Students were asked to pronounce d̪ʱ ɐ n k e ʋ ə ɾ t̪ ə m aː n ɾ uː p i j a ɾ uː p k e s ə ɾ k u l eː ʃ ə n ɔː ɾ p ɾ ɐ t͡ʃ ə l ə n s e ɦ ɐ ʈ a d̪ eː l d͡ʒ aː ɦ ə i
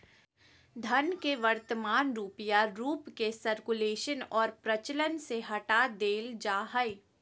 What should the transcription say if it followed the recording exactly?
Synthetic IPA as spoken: d̪ʱ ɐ n k e ʋ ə ɾ t̪ ə m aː n ɾ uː p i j a ɾ uː p k e s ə ɾ k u l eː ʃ ə n ɔː ɾ p ɾ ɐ t͡ʃ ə l ə n s e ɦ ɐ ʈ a d̪ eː l d͡ʒ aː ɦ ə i